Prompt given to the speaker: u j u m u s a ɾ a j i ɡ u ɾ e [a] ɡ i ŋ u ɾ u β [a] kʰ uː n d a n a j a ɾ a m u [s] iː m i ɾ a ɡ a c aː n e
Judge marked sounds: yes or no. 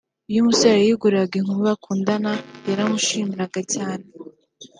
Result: yes, yes, no

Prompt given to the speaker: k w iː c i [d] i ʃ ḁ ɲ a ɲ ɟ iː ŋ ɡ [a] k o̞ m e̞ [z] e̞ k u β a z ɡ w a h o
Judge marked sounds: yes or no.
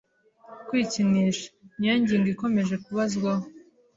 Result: no, no, no

